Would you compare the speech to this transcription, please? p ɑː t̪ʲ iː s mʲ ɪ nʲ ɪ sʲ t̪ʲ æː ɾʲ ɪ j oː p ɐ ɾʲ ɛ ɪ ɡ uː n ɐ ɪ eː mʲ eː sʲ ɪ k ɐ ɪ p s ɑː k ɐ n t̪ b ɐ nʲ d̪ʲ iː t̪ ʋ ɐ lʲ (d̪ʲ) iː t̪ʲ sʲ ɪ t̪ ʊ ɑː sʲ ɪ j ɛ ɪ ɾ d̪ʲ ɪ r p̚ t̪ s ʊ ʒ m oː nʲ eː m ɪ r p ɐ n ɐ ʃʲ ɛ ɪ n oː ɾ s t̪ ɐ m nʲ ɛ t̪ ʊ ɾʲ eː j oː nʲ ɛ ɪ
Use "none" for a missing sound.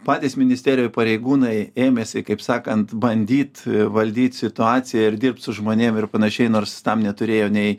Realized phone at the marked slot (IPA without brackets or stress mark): d̪ʲ